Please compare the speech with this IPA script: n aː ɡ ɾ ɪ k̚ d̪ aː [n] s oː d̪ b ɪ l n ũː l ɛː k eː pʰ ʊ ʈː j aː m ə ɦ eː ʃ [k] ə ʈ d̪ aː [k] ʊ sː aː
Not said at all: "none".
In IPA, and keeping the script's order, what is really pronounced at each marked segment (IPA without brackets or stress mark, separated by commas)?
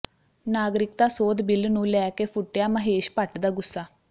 none, p, ɡ